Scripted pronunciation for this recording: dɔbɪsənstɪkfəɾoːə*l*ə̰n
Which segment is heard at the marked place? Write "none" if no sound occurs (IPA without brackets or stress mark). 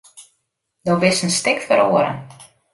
ɾ